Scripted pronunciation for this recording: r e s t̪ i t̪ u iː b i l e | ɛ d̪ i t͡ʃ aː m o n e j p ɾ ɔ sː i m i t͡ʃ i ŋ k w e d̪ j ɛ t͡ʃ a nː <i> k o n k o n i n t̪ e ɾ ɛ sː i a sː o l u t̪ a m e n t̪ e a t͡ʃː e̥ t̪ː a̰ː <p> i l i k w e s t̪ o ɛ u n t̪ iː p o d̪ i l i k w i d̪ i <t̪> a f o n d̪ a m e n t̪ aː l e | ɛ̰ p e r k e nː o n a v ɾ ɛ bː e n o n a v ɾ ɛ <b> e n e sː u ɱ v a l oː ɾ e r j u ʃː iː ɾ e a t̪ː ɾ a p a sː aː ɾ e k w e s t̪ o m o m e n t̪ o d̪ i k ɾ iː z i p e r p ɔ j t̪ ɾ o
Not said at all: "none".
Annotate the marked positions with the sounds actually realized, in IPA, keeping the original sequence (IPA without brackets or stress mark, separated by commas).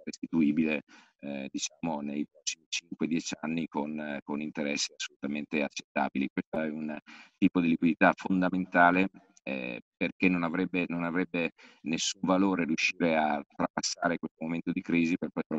i, b, t̪, bː